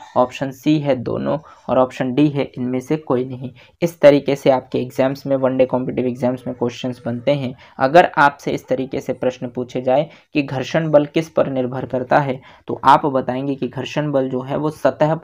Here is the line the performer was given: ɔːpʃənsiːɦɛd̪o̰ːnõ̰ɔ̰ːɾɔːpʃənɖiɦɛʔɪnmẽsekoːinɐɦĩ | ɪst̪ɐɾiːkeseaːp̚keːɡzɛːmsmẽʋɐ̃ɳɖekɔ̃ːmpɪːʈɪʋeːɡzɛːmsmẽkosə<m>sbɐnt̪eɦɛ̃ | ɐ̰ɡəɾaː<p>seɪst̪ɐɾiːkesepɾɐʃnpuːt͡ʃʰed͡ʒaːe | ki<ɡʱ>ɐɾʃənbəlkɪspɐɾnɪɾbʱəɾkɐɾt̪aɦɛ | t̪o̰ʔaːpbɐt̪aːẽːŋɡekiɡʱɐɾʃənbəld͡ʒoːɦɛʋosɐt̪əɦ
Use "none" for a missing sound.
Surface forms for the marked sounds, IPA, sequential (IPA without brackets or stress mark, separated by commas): n, p, ɡʱ